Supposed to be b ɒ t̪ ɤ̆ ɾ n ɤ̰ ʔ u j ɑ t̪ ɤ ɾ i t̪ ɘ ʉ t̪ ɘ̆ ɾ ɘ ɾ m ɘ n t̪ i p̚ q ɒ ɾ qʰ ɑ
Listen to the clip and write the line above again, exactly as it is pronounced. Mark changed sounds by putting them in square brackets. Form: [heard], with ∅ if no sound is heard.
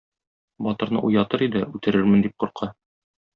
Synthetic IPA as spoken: b ɒ t̪ ɤ̆ ɾ n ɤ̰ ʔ u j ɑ t̪ ɤ ɾ i [d̪] ɘ ʉ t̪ ɘ̆ ɾ ɘ ɾ m ɘ n [d̪] i p̚ q [u] ɾ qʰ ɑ

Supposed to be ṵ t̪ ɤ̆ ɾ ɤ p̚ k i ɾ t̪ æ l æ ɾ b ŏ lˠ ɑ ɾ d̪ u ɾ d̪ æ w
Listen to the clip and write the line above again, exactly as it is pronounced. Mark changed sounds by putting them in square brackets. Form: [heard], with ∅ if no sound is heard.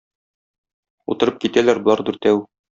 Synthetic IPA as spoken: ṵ t̪ ɤ̆ ɾ ɤ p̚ k i [∅] t̪ æ l æ ɾ b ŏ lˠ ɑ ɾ d̪ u ɾ [t̪] æ w

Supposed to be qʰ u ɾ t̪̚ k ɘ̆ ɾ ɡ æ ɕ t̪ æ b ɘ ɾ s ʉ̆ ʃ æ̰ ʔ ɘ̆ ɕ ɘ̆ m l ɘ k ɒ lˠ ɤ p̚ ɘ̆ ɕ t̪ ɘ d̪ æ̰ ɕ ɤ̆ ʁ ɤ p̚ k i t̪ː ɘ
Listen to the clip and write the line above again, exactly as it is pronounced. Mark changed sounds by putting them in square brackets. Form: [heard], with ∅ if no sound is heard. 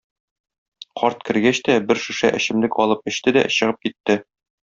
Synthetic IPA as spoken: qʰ [ɒ] ɾ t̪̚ k ɘ̆ ɾ ɡ æ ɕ t̪ æ b ɘ ɾ [ʃ] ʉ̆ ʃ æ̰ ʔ ɘ̆ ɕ ɘ̆ m l ɘ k ɒ lˠ ɤ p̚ ɘ̆ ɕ t̪ ɘ d̪ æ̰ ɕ ɤ̆ ʁ ɤ p̚ k i t̪ː ɘ

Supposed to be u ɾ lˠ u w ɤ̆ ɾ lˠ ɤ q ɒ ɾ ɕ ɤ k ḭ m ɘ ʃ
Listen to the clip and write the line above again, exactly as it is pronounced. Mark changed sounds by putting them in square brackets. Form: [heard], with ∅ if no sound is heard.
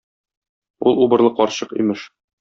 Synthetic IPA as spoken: u [∅] lˠ u [b] ɤ̆ ɾ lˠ ɤ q ɒ ɾ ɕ ɤ [q] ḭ m ɘ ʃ

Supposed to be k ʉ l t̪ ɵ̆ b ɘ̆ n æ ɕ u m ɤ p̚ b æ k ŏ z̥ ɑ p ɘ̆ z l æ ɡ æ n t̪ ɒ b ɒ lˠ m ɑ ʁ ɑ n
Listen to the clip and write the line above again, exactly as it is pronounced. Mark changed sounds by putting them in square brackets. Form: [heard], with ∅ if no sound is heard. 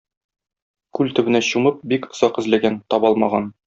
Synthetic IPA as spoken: k ʉ l t̪ ɵ̆ b ɘ̆ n æ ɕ u m ɤ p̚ b [i] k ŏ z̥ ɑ [q] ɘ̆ z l æ ɡ æ n t̪ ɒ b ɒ lˠ m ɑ ʁ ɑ n

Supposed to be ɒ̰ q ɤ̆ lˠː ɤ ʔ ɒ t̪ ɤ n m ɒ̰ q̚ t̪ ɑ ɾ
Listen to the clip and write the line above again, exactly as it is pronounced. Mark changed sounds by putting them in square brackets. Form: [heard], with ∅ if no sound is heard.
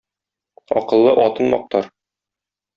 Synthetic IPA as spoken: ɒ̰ q ɤ̆ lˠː ɤ ʔ ɒ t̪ ɤ n m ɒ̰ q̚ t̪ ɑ ɾ

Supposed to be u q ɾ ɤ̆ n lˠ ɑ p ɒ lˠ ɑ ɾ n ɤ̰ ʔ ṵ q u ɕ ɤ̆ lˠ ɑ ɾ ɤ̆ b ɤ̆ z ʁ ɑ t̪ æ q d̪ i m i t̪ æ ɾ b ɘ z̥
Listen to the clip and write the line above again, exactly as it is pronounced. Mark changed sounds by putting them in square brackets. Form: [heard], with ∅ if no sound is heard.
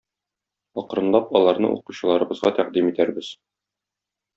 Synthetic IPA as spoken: [ɒ] q ɾ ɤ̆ n lˠ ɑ p ɒ lˠ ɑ ɾ n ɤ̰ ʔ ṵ q u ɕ ɤ̆ lˠ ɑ ɾ ɤ̆ b ɤ̆ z ʁ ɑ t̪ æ q d̪ i m i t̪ æ ɾ b ɘ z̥

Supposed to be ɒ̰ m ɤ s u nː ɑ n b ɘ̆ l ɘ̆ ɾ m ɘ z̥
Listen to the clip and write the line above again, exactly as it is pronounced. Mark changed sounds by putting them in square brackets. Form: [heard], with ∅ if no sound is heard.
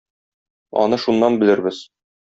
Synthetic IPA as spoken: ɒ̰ [n] ɤ [ʃ] u nː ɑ n b ɘ̆ l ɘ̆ ɾ [b] ɘ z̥

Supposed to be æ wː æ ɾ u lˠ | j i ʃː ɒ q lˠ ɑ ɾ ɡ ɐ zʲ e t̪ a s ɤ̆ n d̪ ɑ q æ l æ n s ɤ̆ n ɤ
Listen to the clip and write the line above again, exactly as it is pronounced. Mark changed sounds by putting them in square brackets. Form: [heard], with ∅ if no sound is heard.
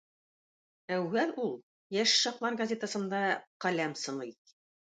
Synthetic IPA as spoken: æ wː æ [l] u lˠ | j [æ] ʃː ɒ q lˠ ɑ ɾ ɡ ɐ zʲ e t̪ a s ɤ̆ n d̪ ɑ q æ l æ [m] s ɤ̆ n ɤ

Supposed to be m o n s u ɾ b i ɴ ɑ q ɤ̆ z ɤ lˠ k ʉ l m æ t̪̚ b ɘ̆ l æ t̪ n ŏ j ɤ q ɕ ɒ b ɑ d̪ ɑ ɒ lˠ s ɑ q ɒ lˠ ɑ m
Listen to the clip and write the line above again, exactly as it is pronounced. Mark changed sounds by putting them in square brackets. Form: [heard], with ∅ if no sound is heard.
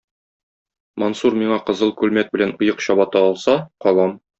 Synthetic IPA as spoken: m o n s u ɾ [m] i ɴ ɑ q ɤ̆ z ɤ lˠ k ʉ l m æ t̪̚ b ɘ̆ l æ [∅] n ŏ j ɤ q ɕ ɒ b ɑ [t̪] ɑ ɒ lˠ s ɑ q ɒ lˠ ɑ m

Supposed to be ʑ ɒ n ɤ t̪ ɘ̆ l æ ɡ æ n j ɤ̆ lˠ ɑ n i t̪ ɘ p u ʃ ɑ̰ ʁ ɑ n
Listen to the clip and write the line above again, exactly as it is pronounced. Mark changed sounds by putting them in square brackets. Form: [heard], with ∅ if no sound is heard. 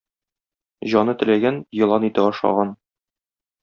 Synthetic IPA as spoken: ʑ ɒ n ɤ t̪ ɘ̆ l æ ɡ æ n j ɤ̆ lˠ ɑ n i t̪ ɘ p [ɒ] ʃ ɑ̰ ʁ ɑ n

